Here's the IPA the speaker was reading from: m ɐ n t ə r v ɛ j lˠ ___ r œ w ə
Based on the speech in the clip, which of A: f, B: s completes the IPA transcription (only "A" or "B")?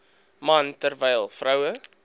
A